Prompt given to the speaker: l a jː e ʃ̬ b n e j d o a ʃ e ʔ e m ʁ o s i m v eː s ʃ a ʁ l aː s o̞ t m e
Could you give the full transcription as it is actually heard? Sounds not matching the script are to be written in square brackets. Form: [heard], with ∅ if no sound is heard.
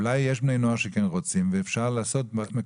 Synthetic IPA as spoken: l a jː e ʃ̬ b n e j [n] o a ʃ e [k] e [n] ʁ o [t͡s] i m v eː [f] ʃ a ʁ l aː s o̞ t m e